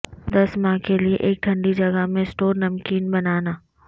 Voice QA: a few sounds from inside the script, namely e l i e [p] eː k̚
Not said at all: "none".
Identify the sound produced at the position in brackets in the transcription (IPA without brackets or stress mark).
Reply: ʔ